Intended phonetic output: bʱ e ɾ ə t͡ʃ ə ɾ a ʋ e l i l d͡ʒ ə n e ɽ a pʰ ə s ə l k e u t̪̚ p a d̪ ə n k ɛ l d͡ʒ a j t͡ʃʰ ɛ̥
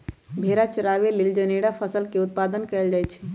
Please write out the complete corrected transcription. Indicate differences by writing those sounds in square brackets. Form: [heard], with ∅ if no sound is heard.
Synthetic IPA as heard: bʱ e ɾ [a] t͡ʃ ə ɾ a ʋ e l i l d͡ʒ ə n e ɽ a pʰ ə s ə l k e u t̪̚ p a d̪ ə n k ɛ l d͡ʒ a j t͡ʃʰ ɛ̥

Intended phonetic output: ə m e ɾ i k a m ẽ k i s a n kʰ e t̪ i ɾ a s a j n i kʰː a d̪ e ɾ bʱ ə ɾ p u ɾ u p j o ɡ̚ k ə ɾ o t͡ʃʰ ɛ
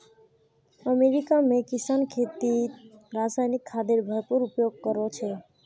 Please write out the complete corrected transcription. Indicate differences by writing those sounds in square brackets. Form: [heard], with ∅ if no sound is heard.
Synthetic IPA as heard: ə m e ɾ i k a m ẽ k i s a n kʰ e t̪ i ɾ a s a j n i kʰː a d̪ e ɾ bʱ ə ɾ p u ɾ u p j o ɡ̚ k ə ɾ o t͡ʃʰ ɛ

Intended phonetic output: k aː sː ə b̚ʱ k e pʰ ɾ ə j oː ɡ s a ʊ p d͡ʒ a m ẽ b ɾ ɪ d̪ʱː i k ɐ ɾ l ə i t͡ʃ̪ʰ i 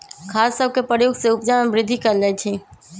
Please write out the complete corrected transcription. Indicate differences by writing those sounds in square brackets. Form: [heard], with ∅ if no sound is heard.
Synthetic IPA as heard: [kʰ] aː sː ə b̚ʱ k e [p] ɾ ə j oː ɡ s [e] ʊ p d͡ʒ a m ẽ b ɾ ɪ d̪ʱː i k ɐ ɾ l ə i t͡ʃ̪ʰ i

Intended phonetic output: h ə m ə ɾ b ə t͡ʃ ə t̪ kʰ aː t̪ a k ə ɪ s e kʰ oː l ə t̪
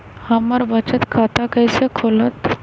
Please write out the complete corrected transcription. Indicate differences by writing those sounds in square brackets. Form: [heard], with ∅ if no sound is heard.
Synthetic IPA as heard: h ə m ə ɾ b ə t͡ʃ ə t̪ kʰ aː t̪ a k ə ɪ s e kʰ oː l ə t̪

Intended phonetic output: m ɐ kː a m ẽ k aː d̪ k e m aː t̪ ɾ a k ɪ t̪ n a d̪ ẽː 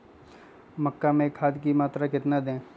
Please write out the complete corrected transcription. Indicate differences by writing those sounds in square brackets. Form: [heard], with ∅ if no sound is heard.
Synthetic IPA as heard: m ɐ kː a m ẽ [kʰ] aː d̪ k [i] m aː t̪ ɾ a k ɪ t̪ n a d̪ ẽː

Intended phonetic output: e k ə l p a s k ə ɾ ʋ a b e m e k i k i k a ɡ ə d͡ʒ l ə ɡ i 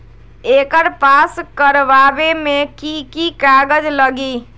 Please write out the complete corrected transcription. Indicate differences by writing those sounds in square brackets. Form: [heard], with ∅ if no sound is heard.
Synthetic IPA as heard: e k ə [ɾ] p a s k ə ɾ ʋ a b e m e k i k i k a ɡ ə d͡ʒ l ə ɡ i

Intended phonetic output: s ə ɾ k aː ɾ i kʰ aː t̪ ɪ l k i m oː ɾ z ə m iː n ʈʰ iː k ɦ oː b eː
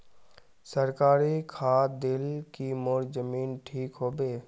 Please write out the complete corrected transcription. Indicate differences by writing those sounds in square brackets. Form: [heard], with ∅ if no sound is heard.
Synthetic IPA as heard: s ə ɾ k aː ɾ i kʰ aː [d̪] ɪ l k i m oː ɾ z ə m iː n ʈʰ iː k ɦ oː b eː

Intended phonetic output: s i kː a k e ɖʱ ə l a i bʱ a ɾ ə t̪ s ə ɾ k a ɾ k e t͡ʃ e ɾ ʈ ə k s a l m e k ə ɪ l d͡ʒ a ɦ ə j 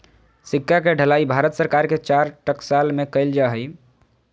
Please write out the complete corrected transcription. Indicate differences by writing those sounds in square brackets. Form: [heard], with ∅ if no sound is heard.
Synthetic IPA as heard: s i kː a k e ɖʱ ə l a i bʱ a ɾ ə t̪ s ə ɾ k a ɾ k e t͡ʃ [a] ɾ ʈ ə k s a l m e k ə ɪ l d͡ʒ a ɦ ə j

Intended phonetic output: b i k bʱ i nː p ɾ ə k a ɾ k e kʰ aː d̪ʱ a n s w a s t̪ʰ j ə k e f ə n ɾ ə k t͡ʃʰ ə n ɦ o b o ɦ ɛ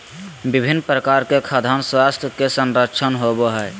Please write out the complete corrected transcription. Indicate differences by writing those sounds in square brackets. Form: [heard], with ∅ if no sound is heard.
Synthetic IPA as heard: b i [∅] bʱ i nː p ɾ ə k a ɾ k e kʰ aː d̪ʱ a n s w a s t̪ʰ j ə k e [s] ə n ɾ ə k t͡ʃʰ ə n ɦ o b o ɦ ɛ

